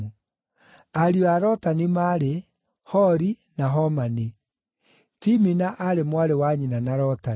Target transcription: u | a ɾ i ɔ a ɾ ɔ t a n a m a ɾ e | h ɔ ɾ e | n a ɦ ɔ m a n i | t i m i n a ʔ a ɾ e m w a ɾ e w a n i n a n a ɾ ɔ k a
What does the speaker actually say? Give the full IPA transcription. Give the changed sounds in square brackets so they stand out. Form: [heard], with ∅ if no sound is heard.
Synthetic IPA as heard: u | a ɾ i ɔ a ɾ ɔ t a n [i] m a ɾ e | h ɔ ɾ [i] | n a ɦ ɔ m a n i | t i m i n a ʔ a ɾ e m w a ɾ e w a [ɲ] i n a n a ɾ ɔ [t] a